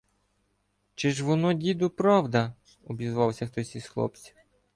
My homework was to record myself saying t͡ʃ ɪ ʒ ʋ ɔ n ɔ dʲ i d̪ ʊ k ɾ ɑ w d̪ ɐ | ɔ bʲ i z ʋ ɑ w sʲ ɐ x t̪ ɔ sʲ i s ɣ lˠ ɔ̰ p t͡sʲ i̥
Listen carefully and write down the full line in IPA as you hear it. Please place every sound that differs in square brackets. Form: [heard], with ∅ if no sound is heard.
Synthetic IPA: t͡ʃ ɪ ʒ ʋ ɔ n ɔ dʲ i d̪ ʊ [p] ɾ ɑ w d̪ ɐ | ɔ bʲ i z ʋ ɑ w sʲ ɐ x t̪ ɔ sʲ i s [x] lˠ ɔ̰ p t͡sʲ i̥